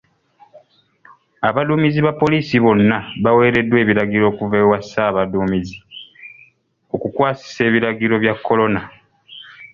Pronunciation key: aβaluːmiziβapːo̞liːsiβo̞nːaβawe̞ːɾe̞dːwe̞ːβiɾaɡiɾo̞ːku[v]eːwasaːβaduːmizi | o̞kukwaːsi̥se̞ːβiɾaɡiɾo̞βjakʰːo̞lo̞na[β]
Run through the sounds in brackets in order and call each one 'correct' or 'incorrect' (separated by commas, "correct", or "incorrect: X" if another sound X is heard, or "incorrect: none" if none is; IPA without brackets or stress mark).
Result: correct, incorrect: none